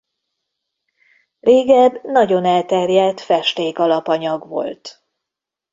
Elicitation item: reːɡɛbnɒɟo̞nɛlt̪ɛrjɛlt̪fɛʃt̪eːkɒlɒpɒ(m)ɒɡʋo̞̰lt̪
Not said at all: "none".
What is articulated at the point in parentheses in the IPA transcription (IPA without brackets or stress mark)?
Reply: ɲ